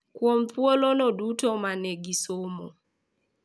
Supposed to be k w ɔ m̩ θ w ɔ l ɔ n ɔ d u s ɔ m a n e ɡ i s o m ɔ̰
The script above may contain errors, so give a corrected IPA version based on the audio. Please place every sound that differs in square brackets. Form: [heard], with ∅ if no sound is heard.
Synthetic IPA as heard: k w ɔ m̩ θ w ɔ l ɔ n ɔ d u [t] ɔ m a n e ɡ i s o m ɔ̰